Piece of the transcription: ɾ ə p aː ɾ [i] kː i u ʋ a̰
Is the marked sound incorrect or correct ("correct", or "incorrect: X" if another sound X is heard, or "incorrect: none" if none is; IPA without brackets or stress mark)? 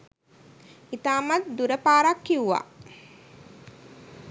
incorrect: a